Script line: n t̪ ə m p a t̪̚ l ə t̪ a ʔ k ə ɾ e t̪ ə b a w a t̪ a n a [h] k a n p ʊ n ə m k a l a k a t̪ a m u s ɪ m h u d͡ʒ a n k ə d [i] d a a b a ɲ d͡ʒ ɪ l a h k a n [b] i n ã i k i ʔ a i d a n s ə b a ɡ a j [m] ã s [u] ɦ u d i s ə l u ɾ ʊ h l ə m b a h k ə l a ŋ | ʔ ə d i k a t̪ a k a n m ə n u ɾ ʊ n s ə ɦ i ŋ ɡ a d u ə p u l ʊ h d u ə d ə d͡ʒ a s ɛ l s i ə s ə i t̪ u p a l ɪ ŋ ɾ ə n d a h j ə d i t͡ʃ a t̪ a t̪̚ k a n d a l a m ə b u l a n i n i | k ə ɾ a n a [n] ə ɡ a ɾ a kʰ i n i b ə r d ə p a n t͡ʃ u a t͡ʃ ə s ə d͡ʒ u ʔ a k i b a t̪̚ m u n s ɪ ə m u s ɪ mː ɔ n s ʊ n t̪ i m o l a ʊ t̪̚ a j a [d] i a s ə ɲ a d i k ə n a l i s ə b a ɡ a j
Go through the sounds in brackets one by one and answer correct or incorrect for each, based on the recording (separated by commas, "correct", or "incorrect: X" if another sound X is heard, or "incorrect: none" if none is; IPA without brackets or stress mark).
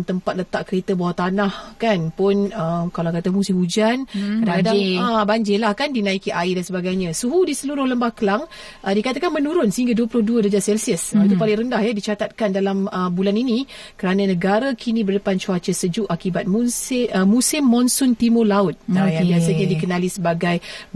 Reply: correct, incorrect: a, incorrect: d, incorrect: ɲ, correct, correct, incorrect: b